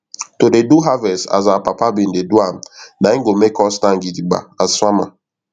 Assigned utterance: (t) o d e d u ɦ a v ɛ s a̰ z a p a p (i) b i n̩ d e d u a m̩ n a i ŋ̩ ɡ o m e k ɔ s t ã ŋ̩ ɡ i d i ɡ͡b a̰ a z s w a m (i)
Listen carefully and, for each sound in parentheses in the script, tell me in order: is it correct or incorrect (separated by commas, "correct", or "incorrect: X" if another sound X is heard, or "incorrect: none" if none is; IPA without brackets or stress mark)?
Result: correct, incorrect: a, incorrect: a